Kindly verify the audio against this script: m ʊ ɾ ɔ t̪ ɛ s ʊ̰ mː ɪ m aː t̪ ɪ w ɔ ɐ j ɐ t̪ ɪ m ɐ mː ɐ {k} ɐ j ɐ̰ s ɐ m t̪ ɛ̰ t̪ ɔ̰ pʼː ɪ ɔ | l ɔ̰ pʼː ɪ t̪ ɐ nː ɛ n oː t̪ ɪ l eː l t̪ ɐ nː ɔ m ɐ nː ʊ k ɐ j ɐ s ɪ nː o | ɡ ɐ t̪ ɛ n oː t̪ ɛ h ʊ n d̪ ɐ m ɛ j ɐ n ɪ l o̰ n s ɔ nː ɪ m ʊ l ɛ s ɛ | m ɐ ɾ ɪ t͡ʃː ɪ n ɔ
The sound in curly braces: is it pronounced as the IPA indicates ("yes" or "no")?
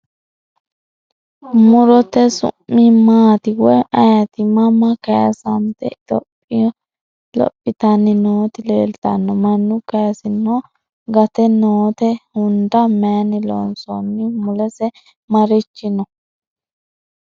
yes